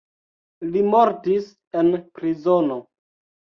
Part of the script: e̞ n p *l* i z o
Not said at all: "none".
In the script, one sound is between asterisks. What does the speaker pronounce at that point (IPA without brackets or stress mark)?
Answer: ɾ